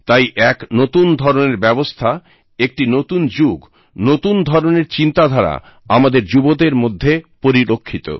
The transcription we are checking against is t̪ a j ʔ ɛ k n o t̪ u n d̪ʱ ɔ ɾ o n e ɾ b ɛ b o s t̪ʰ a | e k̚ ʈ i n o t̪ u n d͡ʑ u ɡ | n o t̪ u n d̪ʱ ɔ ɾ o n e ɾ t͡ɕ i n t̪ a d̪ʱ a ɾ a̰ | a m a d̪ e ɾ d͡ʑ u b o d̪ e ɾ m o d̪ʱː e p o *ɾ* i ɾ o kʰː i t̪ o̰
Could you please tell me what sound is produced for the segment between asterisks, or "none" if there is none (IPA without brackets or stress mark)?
ɾ